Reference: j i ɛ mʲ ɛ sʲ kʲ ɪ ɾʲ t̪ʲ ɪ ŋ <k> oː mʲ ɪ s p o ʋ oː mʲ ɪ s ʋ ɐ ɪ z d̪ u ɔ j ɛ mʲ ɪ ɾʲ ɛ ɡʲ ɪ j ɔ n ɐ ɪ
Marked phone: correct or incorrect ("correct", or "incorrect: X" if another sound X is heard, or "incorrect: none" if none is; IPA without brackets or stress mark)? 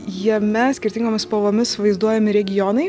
incorrect: ɡ